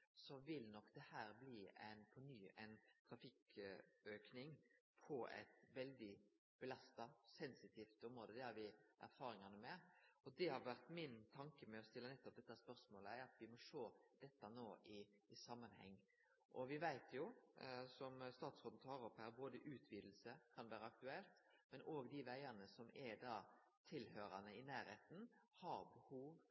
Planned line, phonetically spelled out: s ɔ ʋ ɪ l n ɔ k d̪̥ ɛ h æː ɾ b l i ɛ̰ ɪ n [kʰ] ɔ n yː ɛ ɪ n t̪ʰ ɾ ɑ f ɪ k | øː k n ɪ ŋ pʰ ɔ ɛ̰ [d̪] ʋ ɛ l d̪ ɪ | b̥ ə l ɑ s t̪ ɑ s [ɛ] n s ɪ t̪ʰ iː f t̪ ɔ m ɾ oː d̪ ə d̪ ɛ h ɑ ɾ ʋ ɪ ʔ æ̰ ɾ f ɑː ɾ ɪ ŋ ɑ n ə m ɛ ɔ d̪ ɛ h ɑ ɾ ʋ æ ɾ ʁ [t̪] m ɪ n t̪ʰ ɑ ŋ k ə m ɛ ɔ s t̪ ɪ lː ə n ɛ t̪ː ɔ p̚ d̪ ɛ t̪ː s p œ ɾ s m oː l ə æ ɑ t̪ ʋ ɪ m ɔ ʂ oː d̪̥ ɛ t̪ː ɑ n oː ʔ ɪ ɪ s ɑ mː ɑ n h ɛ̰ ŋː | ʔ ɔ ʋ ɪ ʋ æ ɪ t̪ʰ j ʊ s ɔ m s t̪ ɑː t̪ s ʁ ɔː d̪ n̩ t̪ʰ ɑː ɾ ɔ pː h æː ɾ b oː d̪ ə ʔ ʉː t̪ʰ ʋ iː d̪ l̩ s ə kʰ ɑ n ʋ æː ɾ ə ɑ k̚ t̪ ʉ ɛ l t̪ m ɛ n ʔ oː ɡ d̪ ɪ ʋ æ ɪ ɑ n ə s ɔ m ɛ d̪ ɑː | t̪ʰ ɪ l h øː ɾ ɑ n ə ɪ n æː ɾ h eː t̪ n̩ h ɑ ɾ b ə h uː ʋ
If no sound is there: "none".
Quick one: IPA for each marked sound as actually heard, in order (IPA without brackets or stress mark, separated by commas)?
pʰ, t̪, ɛ, t̪